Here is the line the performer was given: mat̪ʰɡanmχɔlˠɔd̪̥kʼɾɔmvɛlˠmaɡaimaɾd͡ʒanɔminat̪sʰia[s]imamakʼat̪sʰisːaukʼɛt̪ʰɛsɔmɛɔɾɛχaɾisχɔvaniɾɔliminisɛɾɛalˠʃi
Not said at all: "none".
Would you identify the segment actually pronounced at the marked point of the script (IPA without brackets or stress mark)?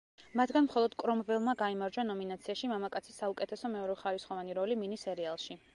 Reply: ʃ